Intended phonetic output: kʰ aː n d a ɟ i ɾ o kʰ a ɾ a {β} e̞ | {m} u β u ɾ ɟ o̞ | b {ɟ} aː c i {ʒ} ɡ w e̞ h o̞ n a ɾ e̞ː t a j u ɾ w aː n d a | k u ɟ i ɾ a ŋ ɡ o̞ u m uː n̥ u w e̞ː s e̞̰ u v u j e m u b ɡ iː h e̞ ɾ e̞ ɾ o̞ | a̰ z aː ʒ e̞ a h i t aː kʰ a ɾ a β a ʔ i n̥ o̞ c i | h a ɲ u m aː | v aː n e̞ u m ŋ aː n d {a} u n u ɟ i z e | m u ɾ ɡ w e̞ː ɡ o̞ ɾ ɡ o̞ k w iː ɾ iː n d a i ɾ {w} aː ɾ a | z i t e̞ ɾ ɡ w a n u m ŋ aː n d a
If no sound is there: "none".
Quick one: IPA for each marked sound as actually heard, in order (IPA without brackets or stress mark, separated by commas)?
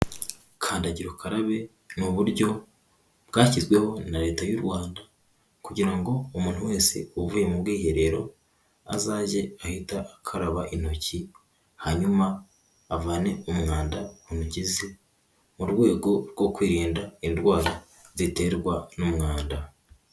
β, n, ɡ, z, a, w